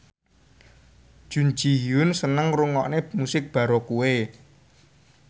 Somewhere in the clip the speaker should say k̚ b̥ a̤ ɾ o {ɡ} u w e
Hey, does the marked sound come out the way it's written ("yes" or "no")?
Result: no